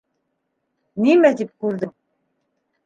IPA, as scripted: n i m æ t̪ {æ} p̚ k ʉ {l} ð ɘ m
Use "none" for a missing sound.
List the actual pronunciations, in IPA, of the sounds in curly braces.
i, ɾ

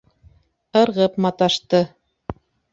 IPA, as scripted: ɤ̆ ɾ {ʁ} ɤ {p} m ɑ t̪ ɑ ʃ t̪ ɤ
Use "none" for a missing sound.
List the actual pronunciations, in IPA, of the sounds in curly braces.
ʁ, p

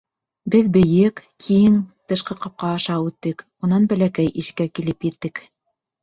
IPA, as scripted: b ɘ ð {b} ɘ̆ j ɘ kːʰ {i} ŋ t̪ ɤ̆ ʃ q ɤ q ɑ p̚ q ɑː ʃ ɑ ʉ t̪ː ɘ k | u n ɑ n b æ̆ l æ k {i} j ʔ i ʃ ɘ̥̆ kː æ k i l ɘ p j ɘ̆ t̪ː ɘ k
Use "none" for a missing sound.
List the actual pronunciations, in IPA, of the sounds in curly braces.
b, i, æ

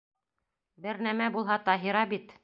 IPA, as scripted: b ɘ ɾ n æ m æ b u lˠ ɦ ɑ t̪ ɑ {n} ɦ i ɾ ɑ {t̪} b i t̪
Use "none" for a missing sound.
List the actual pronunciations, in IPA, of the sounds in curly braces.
none, none

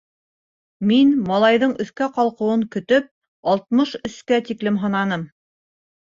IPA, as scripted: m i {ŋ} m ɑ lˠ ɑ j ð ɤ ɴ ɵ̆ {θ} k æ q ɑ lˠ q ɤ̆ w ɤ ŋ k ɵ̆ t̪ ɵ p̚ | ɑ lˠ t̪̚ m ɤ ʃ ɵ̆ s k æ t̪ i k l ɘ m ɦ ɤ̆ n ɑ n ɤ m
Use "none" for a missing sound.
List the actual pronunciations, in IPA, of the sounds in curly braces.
n, θ

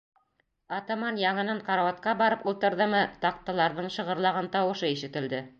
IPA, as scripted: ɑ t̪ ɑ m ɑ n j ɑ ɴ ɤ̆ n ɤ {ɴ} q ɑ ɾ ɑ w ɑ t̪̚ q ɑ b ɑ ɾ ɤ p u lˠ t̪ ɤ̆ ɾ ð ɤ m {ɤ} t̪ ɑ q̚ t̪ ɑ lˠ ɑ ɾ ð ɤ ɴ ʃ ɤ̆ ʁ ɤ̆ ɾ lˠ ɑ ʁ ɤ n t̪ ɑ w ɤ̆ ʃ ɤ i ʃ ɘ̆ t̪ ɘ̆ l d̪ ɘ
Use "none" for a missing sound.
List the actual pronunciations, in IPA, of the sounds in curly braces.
ɴ, ɤ

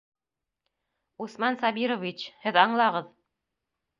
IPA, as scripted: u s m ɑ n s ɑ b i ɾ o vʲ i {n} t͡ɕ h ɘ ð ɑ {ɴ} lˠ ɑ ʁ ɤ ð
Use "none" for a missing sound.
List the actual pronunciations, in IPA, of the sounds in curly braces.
none, ɴ

